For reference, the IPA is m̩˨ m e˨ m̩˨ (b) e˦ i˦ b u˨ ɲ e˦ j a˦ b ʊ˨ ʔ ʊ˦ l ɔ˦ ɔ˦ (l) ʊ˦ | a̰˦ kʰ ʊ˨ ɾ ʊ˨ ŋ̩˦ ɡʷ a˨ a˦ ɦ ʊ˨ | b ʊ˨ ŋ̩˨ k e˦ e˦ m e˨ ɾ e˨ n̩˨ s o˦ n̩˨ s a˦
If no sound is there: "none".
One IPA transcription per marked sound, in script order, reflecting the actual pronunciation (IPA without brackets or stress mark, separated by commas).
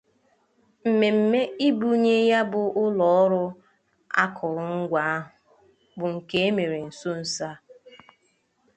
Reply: m, ɾ